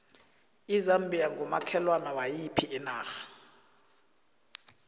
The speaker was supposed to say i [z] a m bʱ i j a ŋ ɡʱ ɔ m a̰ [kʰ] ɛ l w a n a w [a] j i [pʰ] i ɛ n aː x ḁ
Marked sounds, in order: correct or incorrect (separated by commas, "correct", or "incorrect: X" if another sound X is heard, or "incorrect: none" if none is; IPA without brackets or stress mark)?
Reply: correct, correct, correct, correct